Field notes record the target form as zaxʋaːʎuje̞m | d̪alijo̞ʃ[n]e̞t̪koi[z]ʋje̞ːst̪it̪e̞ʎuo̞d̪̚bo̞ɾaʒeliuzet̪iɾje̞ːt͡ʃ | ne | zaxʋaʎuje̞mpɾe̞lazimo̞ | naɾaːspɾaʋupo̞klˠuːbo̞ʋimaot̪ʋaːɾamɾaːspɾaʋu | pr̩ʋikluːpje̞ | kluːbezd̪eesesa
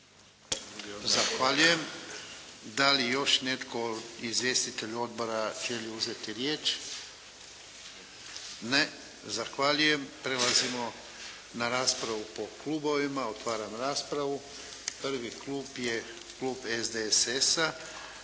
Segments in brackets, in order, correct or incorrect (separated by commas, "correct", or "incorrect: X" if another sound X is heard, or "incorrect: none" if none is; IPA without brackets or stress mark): correct, correct